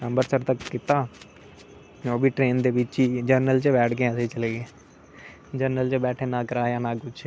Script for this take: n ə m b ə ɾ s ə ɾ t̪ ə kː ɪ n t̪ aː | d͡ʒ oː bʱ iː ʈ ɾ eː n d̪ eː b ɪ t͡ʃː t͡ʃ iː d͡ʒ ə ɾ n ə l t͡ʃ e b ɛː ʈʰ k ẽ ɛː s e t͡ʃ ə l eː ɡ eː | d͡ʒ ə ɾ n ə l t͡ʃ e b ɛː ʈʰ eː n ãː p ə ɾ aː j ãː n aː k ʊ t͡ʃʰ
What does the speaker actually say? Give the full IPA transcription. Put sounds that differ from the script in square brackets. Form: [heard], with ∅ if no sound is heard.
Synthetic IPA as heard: n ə m b ə ɾ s ə ɾ t̪ ə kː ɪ [∅] t̪ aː | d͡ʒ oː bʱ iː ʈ ɾ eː n d̪ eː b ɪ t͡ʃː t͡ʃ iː d͡ʒ ə ɾ n ə l t͡ʃ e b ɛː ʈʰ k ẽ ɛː s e t͡ʃ ə l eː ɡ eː | d͡ʒ ə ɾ n ə l t͡ʃ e b ɛː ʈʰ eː n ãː [k] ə ɾ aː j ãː n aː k ʊ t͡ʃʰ